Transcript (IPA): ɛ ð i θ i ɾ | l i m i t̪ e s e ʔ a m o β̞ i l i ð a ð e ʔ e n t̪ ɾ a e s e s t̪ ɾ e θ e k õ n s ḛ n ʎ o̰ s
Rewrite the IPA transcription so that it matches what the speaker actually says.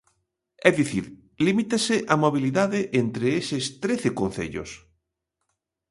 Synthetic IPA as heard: ɛ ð i θ i ɾ | l i m i t̪ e s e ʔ a m o β̞ i l i ð a ð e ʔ e n t̪ ɾ e e s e s t̪ ɾ e θ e k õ n θ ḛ ʎ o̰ s

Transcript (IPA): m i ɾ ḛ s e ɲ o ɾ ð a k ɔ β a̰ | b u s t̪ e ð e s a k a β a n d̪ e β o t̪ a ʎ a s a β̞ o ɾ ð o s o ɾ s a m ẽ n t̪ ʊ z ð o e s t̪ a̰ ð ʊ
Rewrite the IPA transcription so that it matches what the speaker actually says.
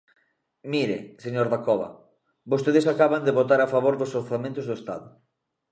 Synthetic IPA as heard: m i ɾ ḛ s e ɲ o ɾ ð a k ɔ β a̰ | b o s t̪ e ð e s a k a β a n d̪ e β o t̪ a ɾ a f a β̞ o ɾ ð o s o ɾ θ a m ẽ n t̪ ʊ z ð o e s t̪ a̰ ð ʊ

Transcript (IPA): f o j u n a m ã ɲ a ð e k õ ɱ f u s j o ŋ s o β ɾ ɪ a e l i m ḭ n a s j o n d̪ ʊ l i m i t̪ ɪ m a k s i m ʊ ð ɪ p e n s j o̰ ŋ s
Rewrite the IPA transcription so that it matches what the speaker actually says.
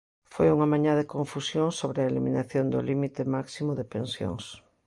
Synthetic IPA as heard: f o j u ŋ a m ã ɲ a ð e k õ ɱ f u s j o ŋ s o β ɾ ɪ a e l i m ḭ n a θ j o n d̪ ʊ l i m i t̪ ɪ m a k s i m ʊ ð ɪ p e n s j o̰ ŋ s

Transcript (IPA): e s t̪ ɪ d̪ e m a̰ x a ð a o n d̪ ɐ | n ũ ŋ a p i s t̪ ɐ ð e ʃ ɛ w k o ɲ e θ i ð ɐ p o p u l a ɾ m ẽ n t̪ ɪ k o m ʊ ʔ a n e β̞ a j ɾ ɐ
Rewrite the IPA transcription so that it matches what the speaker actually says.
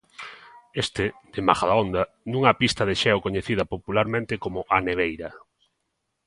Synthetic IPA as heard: e s t̪ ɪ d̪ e m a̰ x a ð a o n d̪ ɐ | n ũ ŋ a p i s t̪ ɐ ð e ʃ ɛ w k o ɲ e θ i ð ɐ p o p u l a ɾ m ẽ n t̪ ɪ k o m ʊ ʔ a n e β̞ e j ɾ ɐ

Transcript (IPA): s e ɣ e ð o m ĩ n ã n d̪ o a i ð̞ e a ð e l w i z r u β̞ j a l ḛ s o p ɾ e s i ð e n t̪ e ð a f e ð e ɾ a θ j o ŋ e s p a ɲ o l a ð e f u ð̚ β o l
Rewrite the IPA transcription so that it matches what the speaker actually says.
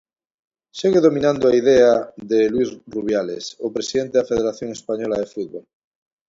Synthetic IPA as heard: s e ɣ e ð o m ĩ n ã n d̪ o a i ð̞ e a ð e l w i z r u β̞ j a l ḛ s o p ɾ e s i ð e n t̪ e ð a f e ð e ɾ a θ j o ŋ e s p a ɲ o l a ð e f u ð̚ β o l

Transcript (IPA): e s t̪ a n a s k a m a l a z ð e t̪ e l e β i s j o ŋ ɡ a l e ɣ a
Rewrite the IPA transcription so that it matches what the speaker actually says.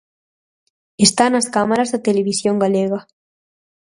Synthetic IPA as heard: e s t̪ a n a s k a m a ɾ a z ð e t̪ e l e β i s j o ŋ ɡ a l e ɣ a

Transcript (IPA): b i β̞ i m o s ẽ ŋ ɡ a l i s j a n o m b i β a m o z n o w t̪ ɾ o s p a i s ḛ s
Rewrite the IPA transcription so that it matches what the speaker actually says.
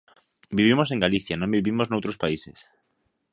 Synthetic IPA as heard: b i β̞ i m o s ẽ ŋ ɡ a l i θ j a n õ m b i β i m o z n o w t̪ ɾ o s p a i s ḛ s

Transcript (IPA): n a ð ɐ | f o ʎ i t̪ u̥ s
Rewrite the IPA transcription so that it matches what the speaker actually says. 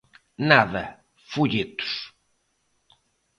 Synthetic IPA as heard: n a ð ɐ | f u ʎ i t̪ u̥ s

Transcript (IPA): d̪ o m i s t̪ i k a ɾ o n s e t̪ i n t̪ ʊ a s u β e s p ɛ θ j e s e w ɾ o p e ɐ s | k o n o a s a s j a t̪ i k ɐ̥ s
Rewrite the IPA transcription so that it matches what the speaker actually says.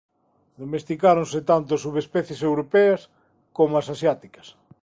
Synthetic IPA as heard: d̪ o m e s t̪ i k a ɾ o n s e t̪ a n t̪ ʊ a s u β e s p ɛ θ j e s e w ɾ o p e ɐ s | k o m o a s a s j a t̪ i k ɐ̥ s

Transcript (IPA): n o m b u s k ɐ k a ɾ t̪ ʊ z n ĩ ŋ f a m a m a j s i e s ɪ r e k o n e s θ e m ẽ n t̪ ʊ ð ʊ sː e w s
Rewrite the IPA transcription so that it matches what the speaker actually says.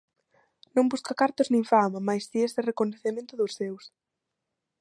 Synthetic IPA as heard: n õ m b u s k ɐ k a ɾ t̪ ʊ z n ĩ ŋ f a m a m a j s i e s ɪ r e k o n e θ e m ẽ n t̪ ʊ ð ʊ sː e w s

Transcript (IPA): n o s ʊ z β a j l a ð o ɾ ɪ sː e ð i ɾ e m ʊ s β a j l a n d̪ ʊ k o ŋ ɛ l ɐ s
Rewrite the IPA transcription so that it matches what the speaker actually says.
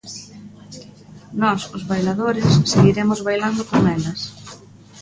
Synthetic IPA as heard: n ɔ s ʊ z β a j l a ð o ɾ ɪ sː e ɣ i ɾ e m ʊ z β a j l a n d̪ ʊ k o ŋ ɛ l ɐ s

